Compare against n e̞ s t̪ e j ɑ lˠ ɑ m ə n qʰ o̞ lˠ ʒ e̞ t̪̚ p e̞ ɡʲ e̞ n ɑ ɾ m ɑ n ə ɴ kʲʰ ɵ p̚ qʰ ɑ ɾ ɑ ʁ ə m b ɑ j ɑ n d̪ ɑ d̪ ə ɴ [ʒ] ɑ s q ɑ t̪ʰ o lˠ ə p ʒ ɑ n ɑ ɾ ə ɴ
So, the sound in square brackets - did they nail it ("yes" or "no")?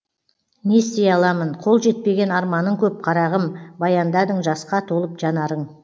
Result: yes